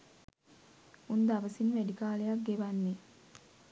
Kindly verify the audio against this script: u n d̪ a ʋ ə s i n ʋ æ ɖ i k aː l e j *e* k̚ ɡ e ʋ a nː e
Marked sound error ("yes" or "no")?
yes